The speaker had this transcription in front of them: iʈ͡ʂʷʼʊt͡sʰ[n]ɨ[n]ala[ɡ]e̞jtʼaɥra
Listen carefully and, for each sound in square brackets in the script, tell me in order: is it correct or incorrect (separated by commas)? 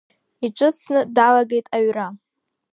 correct, incorrect, correct